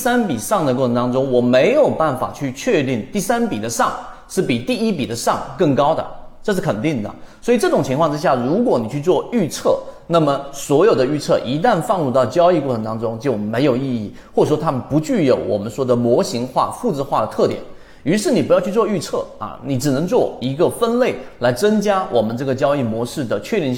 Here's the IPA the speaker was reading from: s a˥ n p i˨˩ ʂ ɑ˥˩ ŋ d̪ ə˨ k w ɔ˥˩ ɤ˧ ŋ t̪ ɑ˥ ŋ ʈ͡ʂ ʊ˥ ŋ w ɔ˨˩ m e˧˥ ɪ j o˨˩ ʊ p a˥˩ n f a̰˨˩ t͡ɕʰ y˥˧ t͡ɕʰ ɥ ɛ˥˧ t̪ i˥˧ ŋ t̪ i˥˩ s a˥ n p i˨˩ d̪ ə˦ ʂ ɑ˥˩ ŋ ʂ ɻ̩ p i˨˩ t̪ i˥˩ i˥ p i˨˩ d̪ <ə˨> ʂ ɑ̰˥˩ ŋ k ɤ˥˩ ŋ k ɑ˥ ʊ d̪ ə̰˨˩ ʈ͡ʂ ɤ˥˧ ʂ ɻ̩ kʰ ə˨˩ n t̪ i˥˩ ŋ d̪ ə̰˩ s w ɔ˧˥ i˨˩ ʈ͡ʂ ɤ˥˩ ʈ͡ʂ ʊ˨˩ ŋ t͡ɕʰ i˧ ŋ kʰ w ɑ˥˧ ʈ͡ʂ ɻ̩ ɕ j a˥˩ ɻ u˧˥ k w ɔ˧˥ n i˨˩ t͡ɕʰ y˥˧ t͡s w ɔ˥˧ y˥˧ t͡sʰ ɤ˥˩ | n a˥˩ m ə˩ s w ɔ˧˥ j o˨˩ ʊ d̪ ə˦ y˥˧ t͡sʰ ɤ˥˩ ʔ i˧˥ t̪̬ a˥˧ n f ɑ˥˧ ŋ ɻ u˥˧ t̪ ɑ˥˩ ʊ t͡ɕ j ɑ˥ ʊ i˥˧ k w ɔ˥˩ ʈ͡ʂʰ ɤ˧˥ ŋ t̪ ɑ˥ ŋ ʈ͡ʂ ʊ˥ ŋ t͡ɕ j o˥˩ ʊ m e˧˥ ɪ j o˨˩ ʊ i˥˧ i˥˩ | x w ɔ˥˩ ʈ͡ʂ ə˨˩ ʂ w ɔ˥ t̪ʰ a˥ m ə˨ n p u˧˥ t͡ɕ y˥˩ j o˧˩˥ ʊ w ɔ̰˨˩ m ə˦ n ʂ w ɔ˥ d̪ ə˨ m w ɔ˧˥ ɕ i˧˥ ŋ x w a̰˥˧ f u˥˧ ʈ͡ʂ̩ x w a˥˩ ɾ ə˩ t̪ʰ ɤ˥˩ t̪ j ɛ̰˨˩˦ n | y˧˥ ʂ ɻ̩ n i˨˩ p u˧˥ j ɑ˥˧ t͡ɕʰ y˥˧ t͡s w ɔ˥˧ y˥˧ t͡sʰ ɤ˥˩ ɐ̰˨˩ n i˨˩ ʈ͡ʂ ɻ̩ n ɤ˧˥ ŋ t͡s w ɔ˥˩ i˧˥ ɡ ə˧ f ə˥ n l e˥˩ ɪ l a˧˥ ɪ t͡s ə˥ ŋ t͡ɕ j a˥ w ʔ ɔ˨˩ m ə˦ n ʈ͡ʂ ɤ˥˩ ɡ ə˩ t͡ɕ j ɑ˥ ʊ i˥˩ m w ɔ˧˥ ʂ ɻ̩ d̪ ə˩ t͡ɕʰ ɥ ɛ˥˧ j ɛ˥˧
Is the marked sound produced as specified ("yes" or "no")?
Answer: no